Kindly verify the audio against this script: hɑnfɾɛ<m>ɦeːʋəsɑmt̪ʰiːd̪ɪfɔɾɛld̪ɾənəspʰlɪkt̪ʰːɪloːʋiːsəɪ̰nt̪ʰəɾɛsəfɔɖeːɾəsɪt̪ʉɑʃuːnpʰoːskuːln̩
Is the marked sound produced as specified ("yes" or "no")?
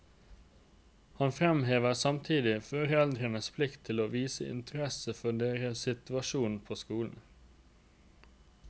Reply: yes